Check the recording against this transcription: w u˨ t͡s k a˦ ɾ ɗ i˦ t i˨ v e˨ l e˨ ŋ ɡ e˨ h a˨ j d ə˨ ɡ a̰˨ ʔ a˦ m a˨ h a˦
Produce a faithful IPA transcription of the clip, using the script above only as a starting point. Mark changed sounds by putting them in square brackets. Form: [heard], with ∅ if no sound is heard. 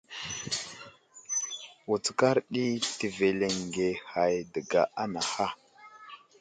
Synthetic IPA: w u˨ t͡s k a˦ ɾ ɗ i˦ t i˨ v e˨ l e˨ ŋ ɡ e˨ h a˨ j d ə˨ ɡ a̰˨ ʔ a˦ [n] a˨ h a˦